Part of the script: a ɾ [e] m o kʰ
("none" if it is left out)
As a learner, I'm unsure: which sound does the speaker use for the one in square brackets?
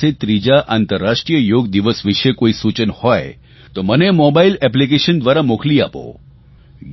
a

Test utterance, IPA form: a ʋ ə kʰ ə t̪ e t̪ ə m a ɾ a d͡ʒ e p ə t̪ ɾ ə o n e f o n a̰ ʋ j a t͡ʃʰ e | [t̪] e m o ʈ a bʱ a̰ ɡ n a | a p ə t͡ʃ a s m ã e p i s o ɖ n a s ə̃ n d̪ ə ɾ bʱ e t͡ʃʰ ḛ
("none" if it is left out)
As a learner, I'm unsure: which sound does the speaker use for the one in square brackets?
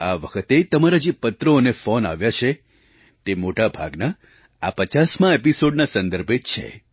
t̪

